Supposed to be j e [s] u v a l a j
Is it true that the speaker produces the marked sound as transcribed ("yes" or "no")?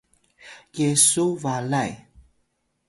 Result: yes